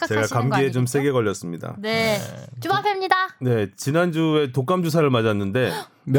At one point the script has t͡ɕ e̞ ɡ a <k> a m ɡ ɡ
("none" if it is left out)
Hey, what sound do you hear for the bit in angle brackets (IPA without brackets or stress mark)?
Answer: k